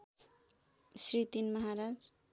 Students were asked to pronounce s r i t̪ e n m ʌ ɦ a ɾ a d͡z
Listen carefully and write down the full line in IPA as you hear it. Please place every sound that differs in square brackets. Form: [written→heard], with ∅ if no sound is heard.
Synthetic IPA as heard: s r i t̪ [e→i] n m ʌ ɦ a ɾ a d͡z